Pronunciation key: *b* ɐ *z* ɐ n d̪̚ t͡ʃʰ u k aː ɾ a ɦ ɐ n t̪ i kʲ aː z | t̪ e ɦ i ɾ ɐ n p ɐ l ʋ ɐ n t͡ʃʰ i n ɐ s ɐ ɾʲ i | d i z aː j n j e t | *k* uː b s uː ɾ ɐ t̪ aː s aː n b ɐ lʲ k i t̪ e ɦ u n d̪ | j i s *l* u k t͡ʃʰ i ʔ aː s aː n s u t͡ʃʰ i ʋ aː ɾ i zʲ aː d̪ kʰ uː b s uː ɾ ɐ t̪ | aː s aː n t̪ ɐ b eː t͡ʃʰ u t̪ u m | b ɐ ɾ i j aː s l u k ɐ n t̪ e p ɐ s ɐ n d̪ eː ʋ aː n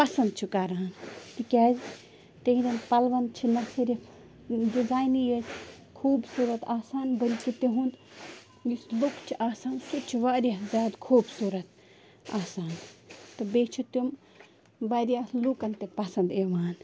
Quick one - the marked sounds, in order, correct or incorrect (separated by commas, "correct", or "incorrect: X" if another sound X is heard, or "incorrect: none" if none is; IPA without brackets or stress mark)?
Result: incorrect: p, incorrect: s, incorrect: kʰ, correct